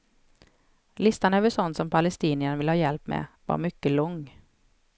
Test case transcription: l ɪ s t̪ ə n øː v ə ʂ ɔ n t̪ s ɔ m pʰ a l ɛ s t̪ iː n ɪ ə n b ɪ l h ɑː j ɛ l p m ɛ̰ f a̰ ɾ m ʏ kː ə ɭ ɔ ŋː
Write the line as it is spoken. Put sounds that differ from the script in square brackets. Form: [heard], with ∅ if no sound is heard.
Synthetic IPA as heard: l ɪ s t̪ [a] n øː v ə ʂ ɔ n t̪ s ɔ m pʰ a l ɛ s t̪ iː n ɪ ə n [v] ɪ l h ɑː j ɛ l p m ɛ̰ [v] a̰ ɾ m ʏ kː ə [l] ɔ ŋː